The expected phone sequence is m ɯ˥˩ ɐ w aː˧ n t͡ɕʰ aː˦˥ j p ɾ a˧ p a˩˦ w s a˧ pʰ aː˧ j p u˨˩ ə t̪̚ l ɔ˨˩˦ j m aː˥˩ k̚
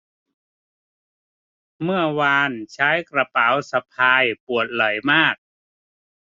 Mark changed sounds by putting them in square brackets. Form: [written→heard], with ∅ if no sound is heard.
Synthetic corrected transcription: m ɯ˥˩ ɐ w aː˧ n t͡ɕʰ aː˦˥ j [p→k] ɾ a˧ p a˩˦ w s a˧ pʰ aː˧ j p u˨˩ ə t̪̚ l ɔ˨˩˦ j m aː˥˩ k̚